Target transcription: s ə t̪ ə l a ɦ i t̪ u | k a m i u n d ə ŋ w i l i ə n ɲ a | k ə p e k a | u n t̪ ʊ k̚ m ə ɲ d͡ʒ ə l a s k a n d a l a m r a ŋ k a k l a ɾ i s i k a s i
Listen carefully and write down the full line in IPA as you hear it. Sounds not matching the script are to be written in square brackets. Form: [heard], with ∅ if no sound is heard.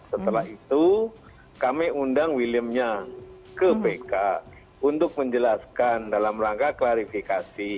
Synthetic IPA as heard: s ə t̪ ə l a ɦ i t̪ u | k a m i u n d [a] ŋ w i l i ə [m] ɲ a | k ə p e k a | u n t̪ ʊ k̚ m ə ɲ d͡ʒ ə l a s k a n d a l a m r a ŋ k a k l a ɾ i [f] i k a s i